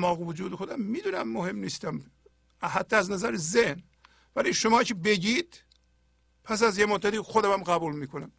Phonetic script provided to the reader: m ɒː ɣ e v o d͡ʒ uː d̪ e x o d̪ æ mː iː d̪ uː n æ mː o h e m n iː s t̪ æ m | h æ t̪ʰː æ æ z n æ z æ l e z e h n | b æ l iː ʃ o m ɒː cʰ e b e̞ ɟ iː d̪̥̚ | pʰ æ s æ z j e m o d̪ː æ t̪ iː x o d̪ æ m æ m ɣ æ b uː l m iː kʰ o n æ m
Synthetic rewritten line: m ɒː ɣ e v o d͡ʒ uː d̪ e x o d̪ æ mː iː d̪ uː n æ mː o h e m n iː s t̪ æ m | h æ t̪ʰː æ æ z n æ z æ ɾ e z e h n | v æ l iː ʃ o m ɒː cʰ e b e̞ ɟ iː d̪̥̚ | pʰ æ s æ z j e m o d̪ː æ t̪ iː x o d̪ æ m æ m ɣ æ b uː l m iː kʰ o n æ m